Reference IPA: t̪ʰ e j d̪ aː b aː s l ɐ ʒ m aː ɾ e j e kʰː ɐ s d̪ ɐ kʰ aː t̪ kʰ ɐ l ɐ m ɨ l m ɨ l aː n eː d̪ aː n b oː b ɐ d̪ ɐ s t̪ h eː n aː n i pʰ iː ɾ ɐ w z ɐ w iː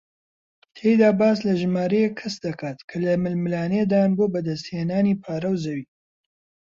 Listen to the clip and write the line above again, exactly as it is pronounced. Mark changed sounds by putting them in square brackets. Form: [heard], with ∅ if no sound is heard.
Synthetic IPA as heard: t̪ʰ e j d̪ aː b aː s l ɐ ʒ m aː ɾ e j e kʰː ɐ s d̪ ɐ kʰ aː t̪ kʰ ɐ l ɐ m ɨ l m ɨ l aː n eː d̪ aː n b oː b ɐ d̪ ɐ s t̪ h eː n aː n i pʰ [aː] ɾ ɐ w z ɐ w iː